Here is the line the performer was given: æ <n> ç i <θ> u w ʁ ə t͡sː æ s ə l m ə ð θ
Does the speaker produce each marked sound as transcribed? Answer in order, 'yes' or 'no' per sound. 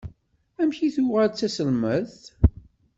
no, yes

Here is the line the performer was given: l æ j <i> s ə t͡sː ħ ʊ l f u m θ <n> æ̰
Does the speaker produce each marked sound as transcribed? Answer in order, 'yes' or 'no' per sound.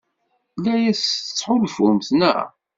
no, yes

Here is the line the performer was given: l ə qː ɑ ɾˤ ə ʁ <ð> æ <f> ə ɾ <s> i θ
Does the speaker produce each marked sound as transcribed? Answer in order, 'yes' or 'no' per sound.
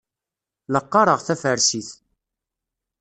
no, yes, yes

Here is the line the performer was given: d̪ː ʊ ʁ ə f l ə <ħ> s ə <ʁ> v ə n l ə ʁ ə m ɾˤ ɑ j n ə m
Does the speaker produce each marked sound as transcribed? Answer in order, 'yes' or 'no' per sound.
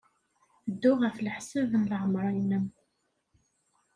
yes, no

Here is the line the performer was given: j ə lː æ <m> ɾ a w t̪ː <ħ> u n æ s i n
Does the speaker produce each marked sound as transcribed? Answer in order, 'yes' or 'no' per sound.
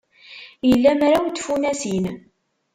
yes, no

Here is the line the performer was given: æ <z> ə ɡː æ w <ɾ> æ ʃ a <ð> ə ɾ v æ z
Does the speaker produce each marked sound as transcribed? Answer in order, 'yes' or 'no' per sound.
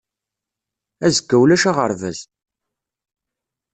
yes, no, no

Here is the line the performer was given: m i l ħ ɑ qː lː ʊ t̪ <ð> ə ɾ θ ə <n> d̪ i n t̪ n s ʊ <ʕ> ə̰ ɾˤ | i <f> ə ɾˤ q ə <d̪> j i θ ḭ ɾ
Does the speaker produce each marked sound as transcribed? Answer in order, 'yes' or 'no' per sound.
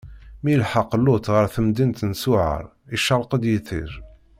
no, no, yes, no, yes

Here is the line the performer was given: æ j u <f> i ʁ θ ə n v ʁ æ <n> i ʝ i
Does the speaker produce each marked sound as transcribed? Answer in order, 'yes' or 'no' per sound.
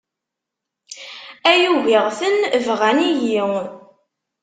no, yes

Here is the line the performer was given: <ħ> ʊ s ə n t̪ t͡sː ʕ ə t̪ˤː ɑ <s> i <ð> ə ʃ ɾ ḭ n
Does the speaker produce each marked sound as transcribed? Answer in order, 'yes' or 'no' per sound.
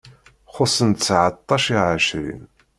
no, no, no

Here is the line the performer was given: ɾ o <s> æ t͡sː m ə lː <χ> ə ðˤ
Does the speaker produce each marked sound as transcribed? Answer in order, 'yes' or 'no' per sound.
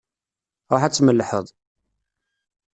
no, no

